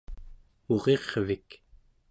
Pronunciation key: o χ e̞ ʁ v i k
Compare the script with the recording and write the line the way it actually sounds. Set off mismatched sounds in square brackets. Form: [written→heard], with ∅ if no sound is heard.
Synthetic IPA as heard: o [χ→ʁ] e̞ ʁ v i k

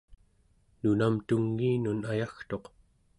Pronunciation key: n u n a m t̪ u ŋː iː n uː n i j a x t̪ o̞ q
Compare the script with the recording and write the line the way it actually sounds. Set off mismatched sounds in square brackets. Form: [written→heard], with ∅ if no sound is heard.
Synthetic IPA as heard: n u n a m t̪ u ŋː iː n [uː→u] n [i→a] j a x t̪ o̞ q

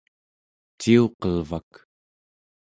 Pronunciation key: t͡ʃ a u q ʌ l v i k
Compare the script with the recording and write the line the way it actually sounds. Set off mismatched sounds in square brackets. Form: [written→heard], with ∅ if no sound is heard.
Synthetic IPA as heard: t͡ʃ [a→i] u q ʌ l v [i→a] k

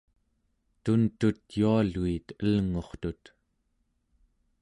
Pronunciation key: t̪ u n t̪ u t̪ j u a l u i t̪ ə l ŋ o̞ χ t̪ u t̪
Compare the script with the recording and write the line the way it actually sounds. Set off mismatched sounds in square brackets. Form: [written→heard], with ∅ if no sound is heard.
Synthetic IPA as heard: t̪ u n t̪ u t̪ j u a l u i t̪ ə l ŋ o̞ χ t̪ u t̪

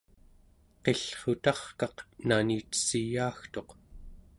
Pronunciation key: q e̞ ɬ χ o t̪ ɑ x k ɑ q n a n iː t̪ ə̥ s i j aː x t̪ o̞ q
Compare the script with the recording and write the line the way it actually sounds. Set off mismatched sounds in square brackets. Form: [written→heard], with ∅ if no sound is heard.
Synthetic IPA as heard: q e̞ ɬ χ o t̪ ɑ [x→χ] k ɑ q n a n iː t̪ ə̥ s i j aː x t̪ o̞ q

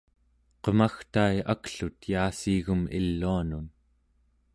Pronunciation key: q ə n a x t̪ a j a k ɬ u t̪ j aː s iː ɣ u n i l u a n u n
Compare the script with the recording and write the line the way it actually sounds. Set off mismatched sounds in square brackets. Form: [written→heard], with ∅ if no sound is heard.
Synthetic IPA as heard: q ə [n→m] a x t̪ a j a k ɬ u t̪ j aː s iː ɣ u [n→m] i [l→lː] u a n u n

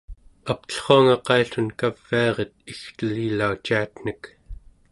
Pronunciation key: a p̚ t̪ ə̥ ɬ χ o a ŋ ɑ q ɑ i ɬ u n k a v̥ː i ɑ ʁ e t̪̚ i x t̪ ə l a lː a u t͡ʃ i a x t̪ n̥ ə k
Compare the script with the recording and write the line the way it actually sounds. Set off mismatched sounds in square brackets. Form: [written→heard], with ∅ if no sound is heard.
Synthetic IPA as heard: a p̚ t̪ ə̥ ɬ χ o a ŋ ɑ q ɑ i ɬ u n k a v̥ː i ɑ ʁ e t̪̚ i x t̪ ə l [a→i] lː a u t͡ʃ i a [x→∅] t̪ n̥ ə k

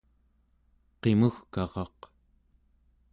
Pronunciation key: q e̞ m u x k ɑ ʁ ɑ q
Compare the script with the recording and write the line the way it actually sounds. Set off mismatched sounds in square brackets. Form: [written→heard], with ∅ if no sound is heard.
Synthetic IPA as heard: q e̞ m u x k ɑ ʁ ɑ q

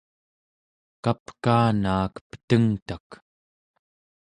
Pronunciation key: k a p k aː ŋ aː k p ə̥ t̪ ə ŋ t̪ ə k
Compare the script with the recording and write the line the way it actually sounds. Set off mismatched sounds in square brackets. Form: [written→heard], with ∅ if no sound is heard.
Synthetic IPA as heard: k a p k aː [ŋ→n] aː k p ə̥ t̪ ə ŋ t̪ [ə→a] k

